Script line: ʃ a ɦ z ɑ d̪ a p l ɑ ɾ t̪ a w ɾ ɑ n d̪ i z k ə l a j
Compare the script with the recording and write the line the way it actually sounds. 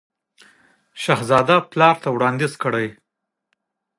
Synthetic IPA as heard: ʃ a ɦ z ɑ d̪ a p l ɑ ɾ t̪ a w ɽ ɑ n d̪ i z k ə ɽ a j